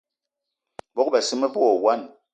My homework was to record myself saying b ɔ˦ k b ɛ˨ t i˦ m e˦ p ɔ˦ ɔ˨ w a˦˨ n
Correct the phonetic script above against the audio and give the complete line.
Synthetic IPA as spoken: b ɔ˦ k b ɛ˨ s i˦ m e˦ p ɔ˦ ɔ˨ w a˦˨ n